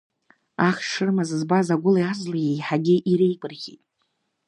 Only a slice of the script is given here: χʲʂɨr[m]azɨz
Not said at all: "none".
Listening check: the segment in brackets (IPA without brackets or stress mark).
m